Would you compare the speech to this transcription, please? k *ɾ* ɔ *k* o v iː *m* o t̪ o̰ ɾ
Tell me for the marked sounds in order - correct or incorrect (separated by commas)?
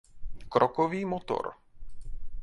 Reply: correct, correct, correct